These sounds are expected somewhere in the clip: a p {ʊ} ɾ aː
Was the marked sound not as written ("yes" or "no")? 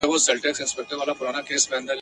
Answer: no